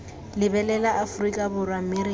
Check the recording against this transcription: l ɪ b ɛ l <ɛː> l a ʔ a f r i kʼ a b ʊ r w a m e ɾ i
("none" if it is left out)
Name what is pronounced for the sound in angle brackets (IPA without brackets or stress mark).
ɛ